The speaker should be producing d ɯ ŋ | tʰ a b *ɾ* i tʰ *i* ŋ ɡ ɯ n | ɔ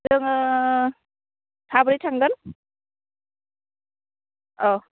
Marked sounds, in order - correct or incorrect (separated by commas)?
correct, incorrect